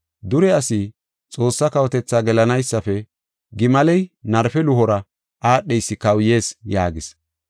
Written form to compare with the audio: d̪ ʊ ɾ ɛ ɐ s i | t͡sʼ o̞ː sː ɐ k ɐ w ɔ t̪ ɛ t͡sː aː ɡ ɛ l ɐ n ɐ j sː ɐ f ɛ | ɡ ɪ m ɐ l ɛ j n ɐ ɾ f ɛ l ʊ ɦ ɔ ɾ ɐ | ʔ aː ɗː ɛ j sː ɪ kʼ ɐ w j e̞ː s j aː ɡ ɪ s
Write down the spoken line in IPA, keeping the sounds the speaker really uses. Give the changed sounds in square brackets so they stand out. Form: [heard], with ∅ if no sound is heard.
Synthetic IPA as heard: d̪ ʊ ɾ ɛ ɐ s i | t͡sʼ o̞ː sː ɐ k ɐ w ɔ t̪ ɛ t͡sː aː ɡ ɛ l ɐ n ɐ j sː ɐ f ɛ | ɡ ɪ m ɐ l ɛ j n ɐ ɾ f ɛ l ʊ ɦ ɔ ɾ ɐ | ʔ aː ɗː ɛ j sː ɪ [k] ɐ w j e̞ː s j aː ɡ ɪ s